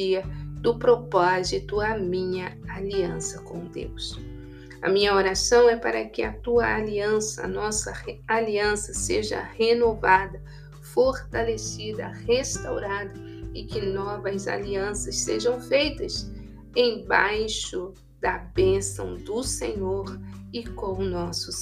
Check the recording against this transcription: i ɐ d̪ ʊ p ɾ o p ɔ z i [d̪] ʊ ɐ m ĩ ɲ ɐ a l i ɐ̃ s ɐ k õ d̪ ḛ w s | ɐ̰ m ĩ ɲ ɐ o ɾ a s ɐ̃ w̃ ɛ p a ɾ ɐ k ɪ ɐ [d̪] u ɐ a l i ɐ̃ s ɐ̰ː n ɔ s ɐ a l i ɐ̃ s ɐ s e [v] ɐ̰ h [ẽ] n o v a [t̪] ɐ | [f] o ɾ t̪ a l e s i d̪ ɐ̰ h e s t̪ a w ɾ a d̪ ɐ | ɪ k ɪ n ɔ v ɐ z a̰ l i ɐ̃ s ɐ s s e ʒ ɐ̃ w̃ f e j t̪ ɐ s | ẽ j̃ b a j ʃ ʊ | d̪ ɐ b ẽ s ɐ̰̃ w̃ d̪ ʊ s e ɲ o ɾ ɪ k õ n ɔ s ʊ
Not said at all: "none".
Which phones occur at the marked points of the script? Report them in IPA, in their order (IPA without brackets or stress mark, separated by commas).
t̪, t̪, ʒ, e, d̪, f